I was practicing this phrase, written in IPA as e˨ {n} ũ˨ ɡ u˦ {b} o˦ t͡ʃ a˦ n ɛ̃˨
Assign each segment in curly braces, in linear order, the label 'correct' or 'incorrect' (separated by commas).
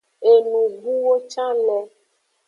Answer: correct, incorrect